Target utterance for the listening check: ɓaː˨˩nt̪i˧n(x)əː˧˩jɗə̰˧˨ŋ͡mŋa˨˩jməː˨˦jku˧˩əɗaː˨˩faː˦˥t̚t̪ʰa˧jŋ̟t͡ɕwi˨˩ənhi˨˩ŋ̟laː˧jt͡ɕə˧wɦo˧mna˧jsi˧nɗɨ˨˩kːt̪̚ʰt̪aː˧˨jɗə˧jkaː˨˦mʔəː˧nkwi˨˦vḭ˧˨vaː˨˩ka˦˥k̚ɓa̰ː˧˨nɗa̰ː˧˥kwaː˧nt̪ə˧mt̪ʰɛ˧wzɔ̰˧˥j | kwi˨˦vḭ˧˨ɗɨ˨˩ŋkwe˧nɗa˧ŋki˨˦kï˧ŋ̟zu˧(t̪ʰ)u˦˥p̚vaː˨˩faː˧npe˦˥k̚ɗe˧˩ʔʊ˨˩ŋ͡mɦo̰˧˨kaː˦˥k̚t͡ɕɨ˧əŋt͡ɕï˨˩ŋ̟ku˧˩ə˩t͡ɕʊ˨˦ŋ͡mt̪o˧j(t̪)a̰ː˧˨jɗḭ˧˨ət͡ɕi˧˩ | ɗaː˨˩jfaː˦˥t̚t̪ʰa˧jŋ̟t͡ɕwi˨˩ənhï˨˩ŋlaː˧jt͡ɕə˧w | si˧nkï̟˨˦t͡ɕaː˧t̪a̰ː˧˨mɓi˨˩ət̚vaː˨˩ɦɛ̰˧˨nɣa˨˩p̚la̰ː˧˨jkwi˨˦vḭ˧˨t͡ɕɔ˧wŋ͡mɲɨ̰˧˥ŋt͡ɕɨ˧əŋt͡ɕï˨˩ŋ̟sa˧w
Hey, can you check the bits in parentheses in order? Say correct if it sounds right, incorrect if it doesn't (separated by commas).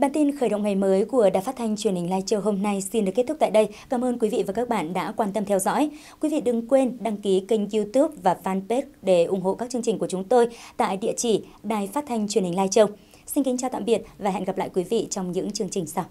correct, incorrect, correct